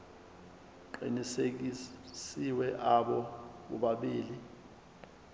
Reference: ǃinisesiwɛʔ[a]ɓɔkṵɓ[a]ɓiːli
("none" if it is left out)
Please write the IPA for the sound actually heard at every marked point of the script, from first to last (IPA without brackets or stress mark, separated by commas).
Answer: a, a